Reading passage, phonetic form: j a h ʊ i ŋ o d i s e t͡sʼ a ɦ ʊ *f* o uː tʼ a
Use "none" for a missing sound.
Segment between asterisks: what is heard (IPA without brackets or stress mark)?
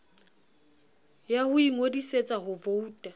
v